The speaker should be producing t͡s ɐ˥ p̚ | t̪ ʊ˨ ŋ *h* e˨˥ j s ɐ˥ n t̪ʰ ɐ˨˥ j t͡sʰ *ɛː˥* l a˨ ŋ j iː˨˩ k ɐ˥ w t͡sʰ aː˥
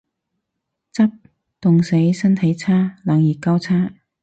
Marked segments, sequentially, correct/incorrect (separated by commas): incorrect, incorrect